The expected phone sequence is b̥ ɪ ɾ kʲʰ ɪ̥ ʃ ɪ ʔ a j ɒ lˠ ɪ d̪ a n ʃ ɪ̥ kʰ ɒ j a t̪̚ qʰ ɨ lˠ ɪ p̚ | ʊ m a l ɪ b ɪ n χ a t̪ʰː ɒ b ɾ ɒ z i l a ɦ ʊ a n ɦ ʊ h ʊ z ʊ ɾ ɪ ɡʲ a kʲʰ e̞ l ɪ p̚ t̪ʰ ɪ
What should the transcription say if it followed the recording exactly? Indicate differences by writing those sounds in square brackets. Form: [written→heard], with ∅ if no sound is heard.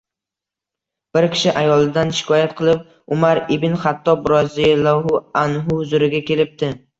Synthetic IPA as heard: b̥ ɪ ɾ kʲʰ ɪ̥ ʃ ɪ ʔ a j ɒ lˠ ɪ d̪ a n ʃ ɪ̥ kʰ ɒ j a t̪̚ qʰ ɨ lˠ ɪ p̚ | ʊ m a [l→ɾ] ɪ b ɪ n χ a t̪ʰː ɒ b ɾ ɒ z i l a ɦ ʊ a n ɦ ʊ h ʊ z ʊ ɾ ɪ ɡʲ a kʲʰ e̞ l ɪ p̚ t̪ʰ ɪ